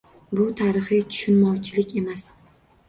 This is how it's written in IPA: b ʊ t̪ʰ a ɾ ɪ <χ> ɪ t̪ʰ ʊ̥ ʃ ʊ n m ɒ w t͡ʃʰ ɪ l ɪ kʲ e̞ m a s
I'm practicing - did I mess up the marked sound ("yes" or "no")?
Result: no